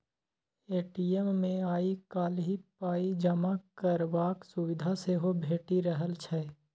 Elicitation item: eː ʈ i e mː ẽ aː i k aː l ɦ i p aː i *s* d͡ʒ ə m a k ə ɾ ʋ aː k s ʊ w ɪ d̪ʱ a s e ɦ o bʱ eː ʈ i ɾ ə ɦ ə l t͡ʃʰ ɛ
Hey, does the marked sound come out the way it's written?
no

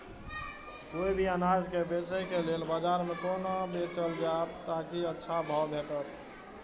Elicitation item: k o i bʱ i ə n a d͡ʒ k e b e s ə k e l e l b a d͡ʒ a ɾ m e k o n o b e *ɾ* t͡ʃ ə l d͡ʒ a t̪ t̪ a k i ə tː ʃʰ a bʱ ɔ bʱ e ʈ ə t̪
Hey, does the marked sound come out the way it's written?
no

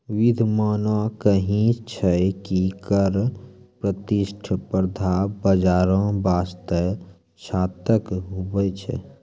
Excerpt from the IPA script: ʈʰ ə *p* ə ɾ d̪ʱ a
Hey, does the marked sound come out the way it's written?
yes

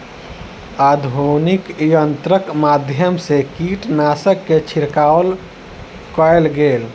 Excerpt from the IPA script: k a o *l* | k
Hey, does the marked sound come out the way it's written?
yes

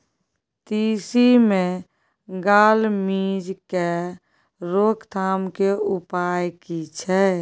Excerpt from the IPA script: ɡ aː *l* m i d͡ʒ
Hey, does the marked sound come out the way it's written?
yes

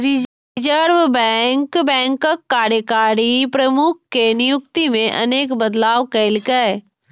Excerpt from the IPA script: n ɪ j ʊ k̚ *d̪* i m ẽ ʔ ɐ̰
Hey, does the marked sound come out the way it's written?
no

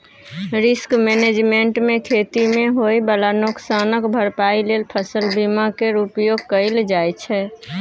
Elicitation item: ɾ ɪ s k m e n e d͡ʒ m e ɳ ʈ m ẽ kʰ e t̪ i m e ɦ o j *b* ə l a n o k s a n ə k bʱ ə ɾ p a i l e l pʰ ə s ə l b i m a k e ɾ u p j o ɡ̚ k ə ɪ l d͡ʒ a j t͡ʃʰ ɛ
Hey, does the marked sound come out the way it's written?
yes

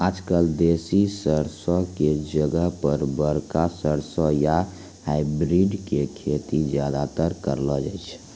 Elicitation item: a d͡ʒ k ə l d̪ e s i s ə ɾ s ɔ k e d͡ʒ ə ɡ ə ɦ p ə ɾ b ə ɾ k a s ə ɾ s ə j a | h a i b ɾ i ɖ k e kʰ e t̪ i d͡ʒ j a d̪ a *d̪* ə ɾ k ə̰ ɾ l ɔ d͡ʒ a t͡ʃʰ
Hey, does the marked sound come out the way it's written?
no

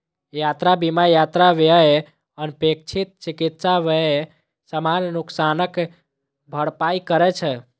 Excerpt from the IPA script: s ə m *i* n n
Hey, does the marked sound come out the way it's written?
no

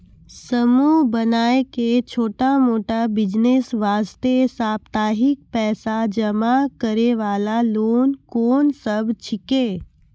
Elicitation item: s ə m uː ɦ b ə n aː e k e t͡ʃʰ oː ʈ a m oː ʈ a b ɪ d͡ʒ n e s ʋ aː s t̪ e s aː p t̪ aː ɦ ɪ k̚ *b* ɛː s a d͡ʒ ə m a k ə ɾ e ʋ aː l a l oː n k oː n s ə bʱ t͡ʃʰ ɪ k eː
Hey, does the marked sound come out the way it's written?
no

